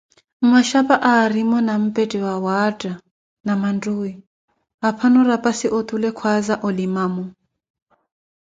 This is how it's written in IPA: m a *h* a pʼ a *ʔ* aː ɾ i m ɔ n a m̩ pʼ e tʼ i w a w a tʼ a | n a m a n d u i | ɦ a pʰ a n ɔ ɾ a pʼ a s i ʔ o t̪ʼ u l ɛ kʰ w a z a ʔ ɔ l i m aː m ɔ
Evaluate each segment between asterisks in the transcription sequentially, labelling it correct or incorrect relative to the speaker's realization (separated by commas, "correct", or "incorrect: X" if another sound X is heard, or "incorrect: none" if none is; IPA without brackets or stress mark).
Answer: incorrect: ʃ, correct